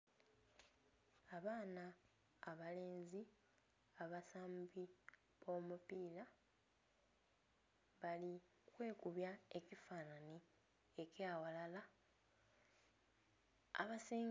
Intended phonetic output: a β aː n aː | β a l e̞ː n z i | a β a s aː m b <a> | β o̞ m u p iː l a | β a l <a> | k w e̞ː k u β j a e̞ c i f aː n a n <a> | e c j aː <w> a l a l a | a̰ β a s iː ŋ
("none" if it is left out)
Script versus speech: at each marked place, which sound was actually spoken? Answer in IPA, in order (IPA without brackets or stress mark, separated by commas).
i, i, i, w